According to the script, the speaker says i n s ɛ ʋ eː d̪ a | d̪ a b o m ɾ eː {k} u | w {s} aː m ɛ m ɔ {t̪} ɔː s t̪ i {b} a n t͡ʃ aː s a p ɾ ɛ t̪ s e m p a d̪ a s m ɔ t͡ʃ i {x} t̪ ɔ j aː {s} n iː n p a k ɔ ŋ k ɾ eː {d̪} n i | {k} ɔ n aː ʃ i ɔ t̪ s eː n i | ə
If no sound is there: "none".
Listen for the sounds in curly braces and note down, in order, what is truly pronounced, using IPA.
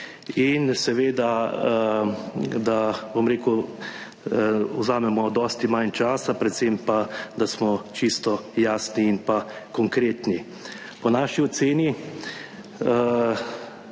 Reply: k, z, d̪, m, s, s, t̪, p

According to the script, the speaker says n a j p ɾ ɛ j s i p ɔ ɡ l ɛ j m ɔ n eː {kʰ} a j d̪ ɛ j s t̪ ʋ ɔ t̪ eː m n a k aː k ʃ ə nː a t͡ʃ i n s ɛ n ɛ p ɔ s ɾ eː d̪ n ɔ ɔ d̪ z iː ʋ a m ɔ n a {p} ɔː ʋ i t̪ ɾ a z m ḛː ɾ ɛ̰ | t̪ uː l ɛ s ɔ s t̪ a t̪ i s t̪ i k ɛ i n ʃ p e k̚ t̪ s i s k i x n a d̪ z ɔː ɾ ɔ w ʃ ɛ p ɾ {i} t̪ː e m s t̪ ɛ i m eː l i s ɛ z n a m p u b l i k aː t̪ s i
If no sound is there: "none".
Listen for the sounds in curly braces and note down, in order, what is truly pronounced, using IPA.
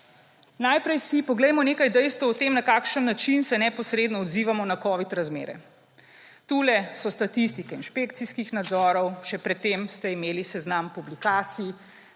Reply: k, k, ɛ

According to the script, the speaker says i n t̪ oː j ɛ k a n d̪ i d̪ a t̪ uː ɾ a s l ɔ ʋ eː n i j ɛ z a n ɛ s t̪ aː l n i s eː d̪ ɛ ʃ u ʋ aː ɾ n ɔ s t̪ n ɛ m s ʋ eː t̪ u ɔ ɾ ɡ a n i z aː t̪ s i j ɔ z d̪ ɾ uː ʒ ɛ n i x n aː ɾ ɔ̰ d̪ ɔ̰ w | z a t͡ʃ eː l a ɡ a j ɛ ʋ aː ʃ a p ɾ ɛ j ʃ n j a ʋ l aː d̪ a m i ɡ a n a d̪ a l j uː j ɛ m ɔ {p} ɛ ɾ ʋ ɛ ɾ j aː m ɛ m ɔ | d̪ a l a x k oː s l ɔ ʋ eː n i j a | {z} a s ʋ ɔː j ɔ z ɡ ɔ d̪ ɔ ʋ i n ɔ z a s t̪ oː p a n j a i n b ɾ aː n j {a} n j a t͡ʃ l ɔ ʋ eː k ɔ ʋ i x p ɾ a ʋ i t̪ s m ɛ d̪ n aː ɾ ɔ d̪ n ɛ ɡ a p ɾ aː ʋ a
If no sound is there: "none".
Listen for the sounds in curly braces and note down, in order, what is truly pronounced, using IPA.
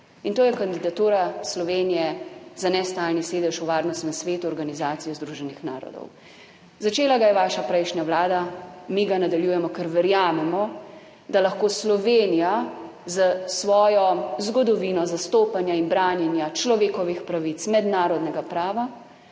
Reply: k, z, ɛ

